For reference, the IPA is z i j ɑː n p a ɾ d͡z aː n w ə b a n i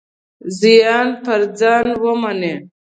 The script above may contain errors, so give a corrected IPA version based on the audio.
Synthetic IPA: z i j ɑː n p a ɾ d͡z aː n w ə m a n e